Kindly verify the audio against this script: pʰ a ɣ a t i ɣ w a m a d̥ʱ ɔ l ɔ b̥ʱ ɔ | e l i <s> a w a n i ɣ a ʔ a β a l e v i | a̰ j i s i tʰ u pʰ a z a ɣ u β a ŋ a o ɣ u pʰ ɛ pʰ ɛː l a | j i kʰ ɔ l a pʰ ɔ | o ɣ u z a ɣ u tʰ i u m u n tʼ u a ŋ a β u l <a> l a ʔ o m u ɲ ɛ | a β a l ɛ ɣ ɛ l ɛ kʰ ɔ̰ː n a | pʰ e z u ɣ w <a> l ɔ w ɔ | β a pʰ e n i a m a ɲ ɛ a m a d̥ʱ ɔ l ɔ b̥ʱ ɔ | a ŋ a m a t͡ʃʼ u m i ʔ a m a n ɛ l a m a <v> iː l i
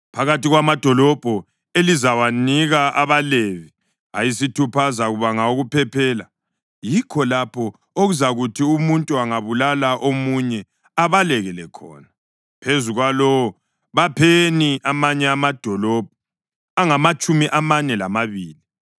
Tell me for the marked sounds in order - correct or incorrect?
incorrect, correct, correct, incorrect

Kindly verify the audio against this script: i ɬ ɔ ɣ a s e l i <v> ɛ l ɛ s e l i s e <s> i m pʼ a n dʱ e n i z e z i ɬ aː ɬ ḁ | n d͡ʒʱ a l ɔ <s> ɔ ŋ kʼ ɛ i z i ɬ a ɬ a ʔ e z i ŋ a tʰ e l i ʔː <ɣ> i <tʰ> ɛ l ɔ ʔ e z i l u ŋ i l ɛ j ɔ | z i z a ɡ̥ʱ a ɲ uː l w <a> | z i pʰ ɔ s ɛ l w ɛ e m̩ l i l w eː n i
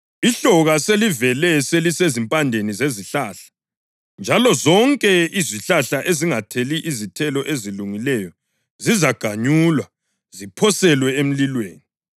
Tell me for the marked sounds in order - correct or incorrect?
correct, incorrect, incorrect, incorrect, correct, correct

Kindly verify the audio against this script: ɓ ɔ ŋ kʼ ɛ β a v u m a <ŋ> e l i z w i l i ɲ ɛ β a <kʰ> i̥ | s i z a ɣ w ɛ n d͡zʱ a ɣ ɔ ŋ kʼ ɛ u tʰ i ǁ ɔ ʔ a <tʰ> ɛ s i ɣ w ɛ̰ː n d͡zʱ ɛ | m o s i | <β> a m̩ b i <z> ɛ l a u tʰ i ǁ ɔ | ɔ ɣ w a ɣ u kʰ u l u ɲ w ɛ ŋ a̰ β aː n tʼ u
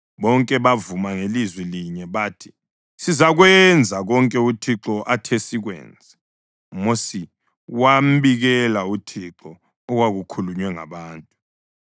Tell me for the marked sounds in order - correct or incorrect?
correct, incorrect, correct, incorrect, incorrect

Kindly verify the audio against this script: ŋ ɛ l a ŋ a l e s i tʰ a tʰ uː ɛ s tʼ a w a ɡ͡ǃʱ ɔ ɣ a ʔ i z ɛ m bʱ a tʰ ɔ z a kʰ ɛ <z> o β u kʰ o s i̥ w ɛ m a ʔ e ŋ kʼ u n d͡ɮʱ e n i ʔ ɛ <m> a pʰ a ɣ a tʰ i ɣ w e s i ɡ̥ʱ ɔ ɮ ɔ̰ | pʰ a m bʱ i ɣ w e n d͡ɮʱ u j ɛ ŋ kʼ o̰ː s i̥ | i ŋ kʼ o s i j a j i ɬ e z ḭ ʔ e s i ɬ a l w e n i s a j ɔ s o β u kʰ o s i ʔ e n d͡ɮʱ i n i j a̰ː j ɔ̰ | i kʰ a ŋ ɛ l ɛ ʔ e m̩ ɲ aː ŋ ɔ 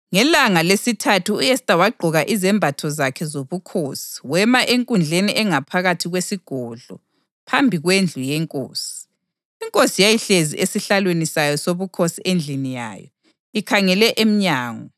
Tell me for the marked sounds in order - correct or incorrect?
correct, incorrect

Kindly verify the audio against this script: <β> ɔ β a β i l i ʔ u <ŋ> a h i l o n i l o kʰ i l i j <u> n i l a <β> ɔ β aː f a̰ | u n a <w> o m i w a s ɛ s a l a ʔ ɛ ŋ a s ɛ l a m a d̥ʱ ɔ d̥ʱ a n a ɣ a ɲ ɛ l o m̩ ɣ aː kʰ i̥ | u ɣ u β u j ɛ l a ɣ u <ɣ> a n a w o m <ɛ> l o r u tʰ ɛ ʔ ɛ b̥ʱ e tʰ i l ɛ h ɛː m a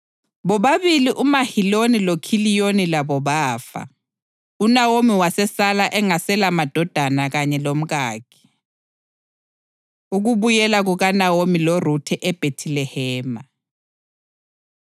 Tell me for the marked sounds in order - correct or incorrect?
correct, incorrect, incorrect, correct, correct, correct, incorrect

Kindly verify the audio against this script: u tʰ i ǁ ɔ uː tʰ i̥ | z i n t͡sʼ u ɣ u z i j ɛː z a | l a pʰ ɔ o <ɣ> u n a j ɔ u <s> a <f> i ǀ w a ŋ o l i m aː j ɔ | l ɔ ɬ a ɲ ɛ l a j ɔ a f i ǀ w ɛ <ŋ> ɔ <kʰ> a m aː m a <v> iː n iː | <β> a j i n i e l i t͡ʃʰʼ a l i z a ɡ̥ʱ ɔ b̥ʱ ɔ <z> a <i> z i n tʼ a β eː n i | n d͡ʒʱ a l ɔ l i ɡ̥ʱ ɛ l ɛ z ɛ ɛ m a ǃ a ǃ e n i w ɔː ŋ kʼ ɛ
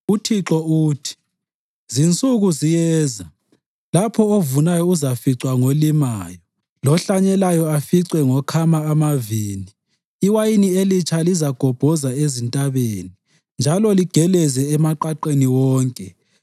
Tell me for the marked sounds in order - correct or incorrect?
incorrect, incorrect, correct, correct, correct, correct, incorrect, correct, incorrect

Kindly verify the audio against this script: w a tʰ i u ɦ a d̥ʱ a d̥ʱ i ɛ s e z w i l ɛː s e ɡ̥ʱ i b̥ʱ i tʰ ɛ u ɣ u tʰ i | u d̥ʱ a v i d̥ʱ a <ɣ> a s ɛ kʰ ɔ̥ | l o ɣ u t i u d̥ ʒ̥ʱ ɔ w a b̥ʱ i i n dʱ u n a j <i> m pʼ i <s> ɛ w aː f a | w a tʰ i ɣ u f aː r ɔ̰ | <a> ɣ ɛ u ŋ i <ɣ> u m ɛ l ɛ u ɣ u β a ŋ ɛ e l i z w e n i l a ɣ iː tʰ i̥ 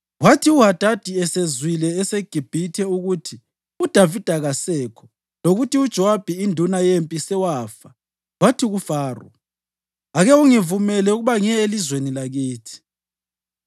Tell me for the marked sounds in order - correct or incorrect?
correct, incorrect, correct, correct, incorrect

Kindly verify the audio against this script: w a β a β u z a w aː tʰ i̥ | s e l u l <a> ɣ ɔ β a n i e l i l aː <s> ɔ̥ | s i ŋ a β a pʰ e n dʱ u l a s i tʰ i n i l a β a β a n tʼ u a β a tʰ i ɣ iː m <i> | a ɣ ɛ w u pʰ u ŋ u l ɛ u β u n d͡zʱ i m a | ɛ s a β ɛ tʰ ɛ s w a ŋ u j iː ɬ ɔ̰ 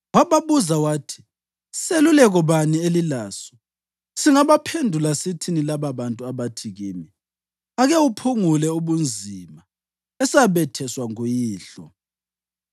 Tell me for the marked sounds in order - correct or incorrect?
incorrect, correct, correct

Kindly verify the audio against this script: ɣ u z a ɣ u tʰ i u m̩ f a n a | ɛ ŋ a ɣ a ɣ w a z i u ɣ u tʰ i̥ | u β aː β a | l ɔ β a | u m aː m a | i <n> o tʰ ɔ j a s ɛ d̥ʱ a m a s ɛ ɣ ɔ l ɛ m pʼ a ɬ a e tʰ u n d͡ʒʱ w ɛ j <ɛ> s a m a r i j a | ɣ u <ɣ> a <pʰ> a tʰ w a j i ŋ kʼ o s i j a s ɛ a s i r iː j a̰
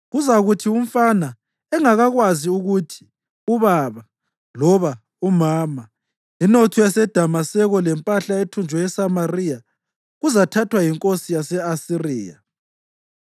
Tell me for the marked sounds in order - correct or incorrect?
correct, correct, incorrect, incorrect

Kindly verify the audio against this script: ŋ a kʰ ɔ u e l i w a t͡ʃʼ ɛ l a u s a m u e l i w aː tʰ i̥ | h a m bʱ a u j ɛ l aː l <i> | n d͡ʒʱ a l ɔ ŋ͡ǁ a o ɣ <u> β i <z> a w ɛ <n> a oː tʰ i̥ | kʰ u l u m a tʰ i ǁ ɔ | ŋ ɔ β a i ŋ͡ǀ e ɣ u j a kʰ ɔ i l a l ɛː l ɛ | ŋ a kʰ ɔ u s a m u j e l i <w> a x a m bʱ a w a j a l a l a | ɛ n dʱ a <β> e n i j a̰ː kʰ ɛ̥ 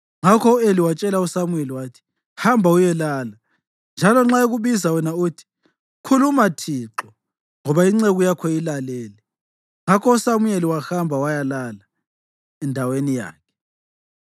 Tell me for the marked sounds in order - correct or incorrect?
incorrect, correct, correct, correct, correct, incorrect

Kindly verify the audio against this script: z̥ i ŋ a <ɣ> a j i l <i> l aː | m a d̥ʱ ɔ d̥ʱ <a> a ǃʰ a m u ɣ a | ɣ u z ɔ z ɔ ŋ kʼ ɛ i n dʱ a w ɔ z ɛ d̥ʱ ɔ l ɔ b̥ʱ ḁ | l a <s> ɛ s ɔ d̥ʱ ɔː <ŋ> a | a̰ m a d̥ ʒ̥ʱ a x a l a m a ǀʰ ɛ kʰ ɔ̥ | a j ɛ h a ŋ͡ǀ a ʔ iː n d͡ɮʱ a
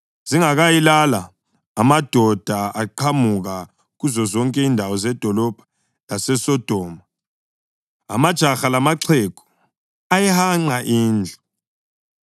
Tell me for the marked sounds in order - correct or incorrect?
correct, incorrect, correct, correct, incorrect

